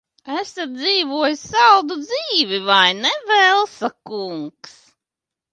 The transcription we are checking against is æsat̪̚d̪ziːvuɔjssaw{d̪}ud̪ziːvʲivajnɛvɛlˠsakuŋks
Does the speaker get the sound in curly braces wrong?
no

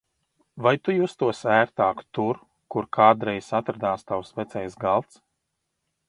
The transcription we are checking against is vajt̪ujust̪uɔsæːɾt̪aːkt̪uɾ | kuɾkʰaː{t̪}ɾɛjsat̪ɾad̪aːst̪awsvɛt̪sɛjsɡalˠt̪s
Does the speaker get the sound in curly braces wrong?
yes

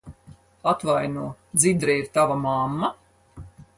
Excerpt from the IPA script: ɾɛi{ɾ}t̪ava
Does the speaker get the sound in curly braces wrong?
no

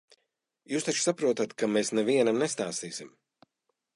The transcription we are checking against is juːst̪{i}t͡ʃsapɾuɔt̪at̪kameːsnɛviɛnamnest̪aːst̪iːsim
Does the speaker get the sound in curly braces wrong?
yes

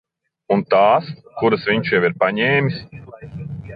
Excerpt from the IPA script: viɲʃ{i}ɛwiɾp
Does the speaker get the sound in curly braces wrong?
yes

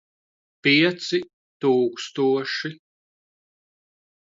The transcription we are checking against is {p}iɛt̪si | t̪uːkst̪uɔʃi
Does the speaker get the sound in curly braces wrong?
no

